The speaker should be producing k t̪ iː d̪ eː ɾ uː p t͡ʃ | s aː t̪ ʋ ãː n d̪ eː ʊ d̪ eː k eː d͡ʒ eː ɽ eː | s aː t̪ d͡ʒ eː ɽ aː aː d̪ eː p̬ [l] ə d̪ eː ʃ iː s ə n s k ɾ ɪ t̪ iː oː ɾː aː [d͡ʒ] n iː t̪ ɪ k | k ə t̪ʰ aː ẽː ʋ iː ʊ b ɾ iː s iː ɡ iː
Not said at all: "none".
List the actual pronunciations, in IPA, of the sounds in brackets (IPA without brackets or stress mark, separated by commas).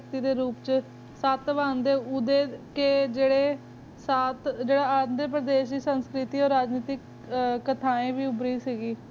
ɾ, d͡ʒ